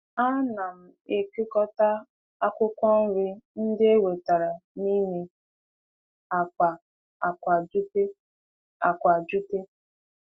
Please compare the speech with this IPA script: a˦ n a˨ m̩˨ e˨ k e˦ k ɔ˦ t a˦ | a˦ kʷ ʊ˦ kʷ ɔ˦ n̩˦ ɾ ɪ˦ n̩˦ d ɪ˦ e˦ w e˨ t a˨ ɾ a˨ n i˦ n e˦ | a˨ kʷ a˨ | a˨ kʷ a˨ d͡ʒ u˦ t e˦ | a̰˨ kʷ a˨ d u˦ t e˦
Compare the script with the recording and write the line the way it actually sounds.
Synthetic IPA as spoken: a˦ n a˨ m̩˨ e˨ k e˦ k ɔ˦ t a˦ | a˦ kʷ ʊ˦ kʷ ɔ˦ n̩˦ ɾ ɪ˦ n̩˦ d ɪ˦ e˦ w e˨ t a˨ ɾ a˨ n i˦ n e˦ | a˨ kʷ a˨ | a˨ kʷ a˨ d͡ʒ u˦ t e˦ | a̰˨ kʷ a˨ d͡ʒ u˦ t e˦